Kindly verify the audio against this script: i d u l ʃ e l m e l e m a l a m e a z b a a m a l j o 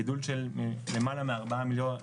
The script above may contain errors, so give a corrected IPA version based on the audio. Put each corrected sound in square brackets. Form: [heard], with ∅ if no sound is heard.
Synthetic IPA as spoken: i d u l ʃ e l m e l e m a l a m e a [ʁ] b a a m [i] l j o